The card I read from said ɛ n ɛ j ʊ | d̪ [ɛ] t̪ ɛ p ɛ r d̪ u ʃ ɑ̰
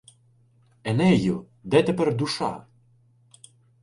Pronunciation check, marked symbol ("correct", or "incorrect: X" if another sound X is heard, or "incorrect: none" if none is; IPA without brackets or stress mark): correct